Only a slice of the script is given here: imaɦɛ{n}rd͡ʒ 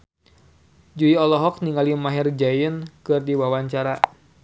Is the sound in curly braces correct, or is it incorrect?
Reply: incorrect: none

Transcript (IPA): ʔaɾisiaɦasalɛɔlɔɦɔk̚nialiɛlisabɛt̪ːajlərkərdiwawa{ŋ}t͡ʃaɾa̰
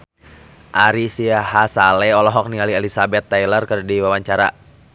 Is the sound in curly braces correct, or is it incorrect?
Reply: incorrect: ɲ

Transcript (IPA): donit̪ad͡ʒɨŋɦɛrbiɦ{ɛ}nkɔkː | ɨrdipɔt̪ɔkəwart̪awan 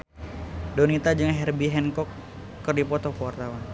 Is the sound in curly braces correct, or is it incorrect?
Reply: correct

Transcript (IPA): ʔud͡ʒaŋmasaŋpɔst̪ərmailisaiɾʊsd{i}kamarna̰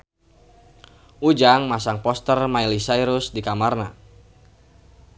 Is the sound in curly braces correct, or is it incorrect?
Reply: correct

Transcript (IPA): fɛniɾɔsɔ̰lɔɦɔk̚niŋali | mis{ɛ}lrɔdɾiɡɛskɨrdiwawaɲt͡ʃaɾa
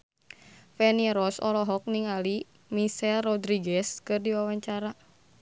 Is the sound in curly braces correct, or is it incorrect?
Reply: correct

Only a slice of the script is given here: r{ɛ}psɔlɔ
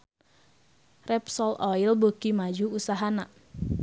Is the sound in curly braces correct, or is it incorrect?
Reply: correct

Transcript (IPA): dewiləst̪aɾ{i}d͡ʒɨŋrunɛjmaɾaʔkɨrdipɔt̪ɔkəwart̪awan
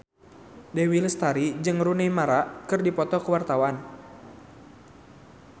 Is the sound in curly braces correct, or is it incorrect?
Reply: correct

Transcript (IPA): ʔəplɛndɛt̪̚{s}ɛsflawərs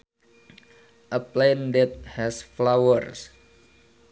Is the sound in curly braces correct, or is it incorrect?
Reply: incorrect: h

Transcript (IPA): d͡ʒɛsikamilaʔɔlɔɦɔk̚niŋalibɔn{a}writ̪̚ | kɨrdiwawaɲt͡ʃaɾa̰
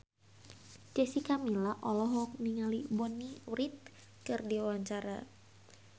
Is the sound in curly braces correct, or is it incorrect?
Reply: incorrect: i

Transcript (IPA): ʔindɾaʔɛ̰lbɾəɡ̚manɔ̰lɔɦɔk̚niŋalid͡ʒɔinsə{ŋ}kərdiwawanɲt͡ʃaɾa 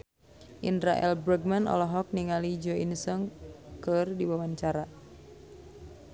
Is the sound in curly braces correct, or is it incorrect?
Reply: correct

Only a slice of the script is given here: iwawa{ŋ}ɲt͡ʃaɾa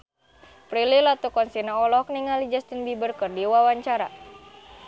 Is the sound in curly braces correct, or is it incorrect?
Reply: incorrect: none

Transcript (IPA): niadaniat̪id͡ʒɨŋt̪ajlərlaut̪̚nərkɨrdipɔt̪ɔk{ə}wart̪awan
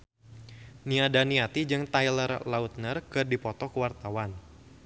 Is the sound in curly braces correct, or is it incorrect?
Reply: correct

